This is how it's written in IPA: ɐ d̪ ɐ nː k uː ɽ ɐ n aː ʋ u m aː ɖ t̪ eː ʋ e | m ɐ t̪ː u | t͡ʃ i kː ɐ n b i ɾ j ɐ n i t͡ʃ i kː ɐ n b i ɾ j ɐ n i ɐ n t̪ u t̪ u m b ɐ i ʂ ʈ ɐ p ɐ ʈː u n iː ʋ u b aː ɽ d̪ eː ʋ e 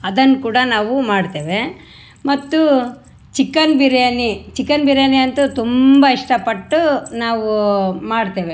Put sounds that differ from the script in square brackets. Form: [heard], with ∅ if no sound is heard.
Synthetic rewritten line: ɐ d̪ ɐ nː k uː ɽ ɐ n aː ʋ u m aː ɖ t̪ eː ʋ e | m ɐ t̪ː u | t͡ʃ i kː ɐ n b i ɾ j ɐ n i t͡ʃ i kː ɐ n b i ɾ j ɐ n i ɐ n t̪ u t̪ u m b ɐ i ʂ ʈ ɐ p ɐ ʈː u n [aː] ʋ u [m] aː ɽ [t̪] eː ʋ e